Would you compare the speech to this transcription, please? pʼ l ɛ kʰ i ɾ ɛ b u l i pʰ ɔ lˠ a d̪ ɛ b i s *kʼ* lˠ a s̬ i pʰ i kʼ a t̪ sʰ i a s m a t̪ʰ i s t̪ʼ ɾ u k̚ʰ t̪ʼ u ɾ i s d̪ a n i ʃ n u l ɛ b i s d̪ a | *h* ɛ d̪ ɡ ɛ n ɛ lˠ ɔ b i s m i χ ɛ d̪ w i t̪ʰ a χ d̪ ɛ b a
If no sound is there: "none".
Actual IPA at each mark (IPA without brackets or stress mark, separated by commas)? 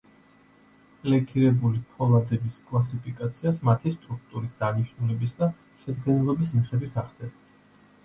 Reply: kʼ, ʃ